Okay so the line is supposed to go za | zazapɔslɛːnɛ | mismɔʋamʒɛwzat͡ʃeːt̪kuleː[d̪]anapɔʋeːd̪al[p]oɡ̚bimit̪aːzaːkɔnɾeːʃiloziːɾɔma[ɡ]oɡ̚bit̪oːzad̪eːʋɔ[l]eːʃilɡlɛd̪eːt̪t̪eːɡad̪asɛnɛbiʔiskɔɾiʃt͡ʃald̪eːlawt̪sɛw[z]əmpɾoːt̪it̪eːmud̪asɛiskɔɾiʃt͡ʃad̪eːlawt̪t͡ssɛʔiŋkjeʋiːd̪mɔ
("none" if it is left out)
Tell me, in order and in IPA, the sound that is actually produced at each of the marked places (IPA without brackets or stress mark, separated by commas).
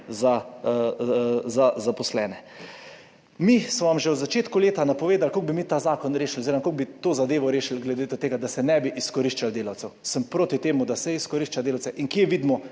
t̪, k, k, ɾ, s